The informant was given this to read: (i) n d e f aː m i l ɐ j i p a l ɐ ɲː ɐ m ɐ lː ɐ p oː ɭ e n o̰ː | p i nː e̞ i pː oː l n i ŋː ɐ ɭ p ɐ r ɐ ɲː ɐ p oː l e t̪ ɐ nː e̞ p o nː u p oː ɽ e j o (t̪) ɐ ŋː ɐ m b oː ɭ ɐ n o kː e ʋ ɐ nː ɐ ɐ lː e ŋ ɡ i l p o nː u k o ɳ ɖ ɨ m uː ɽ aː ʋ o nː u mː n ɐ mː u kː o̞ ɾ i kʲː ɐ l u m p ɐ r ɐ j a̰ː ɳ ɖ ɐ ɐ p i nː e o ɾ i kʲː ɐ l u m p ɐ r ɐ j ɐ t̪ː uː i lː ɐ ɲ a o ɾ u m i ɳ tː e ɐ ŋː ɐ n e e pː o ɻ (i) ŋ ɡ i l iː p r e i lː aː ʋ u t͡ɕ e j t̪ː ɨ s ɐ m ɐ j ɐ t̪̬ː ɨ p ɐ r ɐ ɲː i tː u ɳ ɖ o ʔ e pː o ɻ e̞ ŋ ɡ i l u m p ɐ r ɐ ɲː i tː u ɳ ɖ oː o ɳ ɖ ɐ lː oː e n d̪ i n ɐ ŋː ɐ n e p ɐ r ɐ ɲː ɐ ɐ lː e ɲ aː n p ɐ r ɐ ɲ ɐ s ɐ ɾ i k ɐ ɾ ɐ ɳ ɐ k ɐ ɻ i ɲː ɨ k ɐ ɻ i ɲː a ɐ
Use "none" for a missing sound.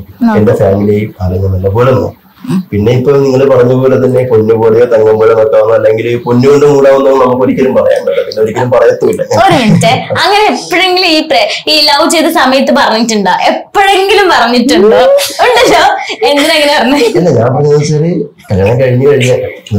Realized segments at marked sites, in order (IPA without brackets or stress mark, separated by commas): e, t̪, e